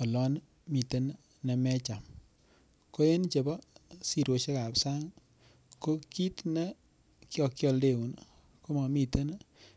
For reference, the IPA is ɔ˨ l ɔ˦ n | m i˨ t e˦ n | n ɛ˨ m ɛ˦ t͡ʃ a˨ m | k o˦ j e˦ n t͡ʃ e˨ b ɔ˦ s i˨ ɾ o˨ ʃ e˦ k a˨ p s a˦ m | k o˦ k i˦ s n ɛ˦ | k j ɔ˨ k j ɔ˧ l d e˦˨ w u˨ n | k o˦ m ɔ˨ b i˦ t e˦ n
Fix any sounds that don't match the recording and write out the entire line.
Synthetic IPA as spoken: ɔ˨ l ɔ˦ n | m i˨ t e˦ n | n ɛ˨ m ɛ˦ t͡ʃ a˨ m | k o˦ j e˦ n t͡ʃ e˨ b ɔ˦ s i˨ ɾ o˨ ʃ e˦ k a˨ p s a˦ ŋ | k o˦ k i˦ t n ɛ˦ | k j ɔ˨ k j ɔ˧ l d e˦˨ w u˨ n | k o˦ m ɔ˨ m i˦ t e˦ n